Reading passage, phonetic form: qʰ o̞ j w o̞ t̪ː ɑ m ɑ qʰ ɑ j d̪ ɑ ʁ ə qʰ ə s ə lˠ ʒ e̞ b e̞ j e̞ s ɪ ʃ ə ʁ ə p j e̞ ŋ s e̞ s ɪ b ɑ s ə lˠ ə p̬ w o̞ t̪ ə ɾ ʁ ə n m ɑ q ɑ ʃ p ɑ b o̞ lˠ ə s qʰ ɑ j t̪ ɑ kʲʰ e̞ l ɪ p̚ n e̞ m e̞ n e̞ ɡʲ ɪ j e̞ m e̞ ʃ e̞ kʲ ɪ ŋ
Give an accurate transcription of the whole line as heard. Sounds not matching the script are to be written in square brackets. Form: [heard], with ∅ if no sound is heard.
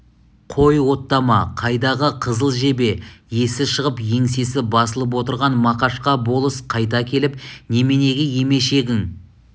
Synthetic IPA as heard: qʰ o̞ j w o̞ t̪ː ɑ m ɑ qʰ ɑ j d̪ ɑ ʁ ə qʰ ə [z] ə lˠ ʒ e̞ b e̞ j e̞ s ɪ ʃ ə ʁ ə p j e̞ ŋ s e̞ s ɪ b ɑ s ə lˠ ə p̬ w o̞ t̪ ə ɾ ʁ [ɑ] n m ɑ q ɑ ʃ [q] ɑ b o̞ lˠ ə s qʰ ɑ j t̪ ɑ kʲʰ e̞ l ɪ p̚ n e̞ m e̞ n e̞ ɡʲ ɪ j e̞ m e̞ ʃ e̞ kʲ ɪ ŋ

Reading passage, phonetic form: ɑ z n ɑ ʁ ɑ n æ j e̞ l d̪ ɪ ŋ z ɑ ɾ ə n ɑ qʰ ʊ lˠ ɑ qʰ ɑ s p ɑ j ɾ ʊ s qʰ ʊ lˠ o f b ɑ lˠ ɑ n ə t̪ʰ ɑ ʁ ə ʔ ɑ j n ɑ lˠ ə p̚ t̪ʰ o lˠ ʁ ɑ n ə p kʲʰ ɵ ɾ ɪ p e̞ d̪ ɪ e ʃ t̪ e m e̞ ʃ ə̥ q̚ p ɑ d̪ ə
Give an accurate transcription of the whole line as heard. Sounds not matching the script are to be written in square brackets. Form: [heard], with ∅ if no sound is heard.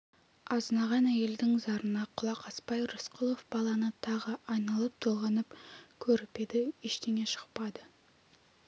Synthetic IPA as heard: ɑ z n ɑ ʁ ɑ n æ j e̞ l d̪ ɪ ŋ z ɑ ɾ ə n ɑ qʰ ʊ lˠ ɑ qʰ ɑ s p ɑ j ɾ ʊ s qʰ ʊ lˠ o f b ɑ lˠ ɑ n ə t̪ʰ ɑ ʁ ə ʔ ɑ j n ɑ lˠ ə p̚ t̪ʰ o lˠ ʁ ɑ n ə p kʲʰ ɵ ɾ ɪ p e̞ d̪ ɪ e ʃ t̪ e [ŋ] e̞ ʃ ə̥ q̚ p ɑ d̪ ə

